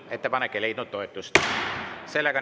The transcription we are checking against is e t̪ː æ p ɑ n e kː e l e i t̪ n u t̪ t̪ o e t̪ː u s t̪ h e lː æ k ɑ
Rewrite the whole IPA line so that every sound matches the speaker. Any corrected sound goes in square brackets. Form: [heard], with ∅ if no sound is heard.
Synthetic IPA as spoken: e t̪ː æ p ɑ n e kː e l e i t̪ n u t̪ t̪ o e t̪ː u s t̪ [s] e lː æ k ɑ